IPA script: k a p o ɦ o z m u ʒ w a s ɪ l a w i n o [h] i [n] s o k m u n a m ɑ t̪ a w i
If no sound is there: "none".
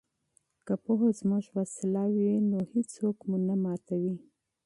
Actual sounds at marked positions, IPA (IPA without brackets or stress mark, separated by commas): h, none